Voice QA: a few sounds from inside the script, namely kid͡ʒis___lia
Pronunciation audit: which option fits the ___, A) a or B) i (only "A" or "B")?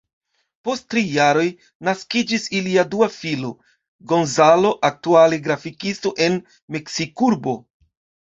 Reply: B